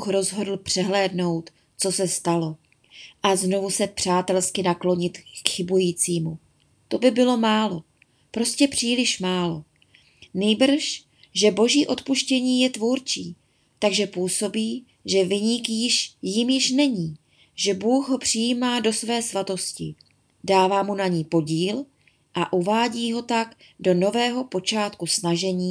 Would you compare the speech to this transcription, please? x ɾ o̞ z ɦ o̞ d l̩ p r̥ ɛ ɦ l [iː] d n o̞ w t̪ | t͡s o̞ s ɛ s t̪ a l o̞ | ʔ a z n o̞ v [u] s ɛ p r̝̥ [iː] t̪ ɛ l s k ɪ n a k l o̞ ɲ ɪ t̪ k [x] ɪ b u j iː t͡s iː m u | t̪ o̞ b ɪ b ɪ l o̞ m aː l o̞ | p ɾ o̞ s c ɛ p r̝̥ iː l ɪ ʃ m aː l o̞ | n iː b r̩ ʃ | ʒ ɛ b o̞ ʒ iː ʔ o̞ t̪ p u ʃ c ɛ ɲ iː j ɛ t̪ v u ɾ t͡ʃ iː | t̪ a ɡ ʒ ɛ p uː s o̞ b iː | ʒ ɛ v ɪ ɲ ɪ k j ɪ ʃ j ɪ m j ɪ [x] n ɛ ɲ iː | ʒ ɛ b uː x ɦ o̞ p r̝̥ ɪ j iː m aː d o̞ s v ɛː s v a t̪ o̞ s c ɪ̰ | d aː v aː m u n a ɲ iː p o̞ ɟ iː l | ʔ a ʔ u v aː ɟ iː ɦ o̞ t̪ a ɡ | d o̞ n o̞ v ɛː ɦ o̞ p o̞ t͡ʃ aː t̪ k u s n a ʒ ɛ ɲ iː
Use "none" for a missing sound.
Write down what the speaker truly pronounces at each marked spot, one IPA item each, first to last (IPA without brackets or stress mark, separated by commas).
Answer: ɛː, u, aː, x, ʃ